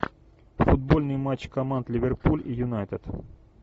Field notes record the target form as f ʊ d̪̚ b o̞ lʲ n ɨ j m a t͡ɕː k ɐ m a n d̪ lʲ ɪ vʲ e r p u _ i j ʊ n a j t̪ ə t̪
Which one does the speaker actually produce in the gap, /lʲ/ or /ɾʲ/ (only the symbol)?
lʲ